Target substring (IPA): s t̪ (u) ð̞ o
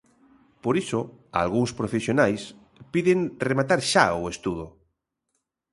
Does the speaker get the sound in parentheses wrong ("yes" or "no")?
no